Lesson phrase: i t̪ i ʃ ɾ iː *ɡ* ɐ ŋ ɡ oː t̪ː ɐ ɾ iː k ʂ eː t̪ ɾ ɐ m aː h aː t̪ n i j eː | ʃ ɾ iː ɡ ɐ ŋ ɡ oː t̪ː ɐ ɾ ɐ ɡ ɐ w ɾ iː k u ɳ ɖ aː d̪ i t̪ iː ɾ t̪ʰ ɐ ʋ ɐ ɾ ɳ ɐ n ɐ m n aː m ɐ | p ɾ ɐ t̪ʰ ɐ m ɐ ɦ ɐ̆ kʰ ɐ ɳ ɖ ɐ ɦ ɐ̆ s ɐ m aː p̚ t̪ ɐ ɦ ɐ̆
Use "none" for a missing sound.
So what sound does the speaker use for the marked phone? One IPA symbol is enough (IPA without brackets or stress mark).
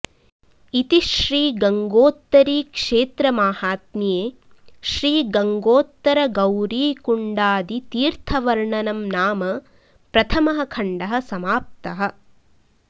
ɡ